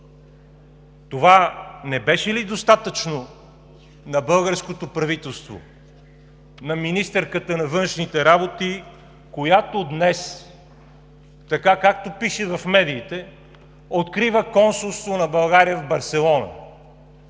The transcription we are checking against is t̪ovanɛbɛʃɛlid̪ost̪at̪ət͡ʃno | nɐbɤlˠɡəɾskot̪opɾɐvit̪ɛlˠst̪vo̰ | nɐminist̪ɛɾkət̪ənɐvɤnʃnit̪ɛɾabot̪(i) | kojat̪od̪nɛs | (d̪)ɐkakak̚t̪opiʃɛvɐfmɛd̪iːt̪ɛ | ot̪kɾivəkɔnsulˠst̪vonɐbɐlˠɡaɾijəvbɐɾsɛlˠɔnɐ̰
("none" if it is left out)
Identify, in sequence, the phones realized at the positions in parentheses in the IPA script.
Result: i, t̪

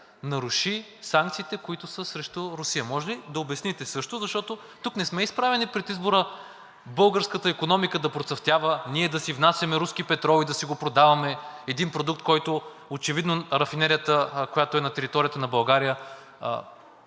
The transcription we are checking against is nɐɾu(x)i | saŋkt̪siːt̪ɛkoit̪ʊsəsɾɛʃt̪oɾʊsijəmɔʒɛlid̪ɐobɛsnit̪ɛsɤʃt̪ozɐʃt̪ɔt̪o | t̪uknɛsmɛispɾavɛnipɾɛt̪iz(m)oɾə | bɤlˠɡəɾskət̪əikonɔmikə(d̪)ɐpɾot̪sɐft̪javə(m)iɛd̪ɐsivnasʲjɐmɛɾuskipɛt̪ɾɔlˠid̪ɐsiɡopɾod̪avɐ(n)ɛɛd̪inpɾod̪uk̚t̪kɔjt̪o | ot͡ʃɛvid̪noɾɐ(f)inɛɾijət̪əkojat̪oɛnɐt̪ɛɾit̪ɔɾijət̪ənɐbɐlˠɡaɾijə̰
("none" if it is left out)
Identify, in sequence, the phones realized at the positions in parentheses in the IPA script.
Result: ʃ, b, d̪, n, m, f

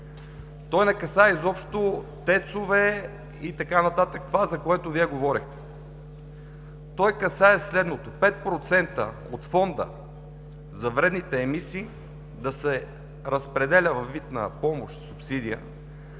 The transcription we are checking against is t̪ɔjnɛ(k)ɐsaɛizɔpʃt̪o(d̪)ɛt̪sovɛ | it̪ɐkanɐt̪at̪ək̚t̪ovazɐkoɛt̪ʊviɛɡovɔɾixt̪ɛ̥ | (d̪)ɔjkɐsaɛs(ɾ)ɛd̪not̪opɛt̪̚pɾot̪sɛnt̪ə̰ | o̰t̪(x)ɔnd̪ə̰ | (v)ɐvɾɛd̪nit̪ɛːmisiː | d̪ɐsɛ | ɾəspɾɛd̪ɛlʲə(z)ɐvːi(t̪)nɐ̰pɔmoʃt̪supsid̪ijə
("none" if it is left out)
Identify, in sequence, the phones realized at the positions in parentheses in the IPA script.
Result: k, t̪, t̪, l, f, z, v, t̪

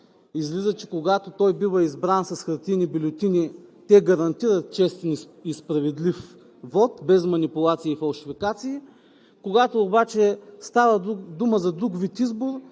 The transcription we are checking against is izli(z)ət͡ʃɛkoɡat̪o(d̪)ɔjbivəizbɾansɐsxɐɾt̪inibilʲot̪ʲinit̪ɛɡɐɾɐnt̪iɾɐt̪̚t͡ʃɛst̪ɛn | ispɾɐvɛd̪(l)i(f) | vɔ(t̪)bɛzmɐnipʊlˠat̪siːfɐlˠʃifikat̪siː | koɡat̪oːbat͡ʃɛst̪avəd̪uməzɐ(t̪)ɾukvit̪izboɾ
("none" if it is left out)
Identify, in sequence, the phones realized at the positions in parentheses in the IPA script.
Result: z, t̪, l, f, t̪, d̪

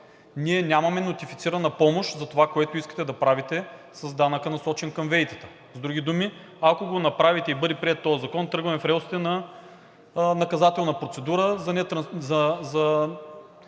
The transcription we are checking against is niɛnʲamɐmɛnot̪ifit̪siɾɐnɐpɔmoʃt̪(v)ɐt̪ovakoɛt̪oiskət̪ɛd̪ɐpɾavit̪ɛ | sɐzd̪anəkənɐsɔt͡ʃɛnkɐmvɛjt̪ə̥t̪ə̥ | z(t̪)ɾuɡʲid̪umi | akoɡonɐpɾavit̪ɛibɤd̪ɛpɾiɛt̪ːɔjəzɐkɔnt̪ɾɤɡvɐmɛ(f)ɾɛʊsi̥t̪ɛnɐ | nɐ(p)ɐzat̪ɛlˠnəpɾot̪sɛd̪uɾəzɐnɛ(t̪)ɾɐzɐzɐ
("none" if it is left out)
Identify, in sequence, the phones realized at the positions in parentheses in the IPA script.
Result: z, d̪, f, k, t̪

